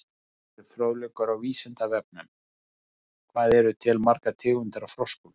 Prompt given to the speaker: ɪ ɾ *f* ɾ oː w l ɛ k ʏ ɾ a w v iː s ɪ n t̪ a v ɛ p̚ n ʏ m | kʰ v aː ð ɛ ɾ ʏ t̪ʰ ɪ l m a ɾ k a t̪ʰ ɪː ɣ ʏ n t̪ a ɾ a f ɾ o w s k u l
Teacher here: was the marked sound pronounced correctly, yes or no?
yes